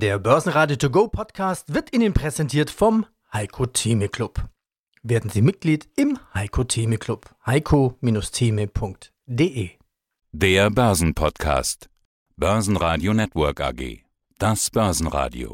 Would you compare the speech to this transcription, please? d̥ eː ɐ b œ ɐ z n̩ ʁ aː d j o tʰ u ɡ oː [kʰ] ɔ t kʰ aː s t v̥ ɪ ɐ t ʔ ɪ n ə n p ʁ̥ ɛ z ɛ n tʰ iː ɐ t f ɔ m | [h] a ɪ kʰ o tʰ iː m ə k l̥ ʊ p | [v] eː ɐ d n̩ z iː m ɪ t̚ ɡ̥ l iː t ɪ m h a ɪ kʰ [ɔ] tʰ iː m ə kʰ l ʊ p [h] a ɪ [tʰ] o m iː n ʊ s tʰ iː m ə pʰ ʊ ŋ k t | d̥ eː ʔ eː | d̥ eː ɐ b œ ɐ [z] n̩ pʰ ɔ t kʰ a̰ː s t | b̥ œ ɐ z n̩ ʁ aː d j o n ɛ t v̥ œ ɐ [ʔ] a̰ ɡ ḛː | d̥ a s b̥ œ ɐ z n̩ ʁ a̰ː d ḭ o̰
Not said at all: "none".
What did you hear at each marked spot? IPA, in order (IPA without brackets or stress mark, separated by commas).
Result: pʰ, h, v, o, h, kʰ, z, k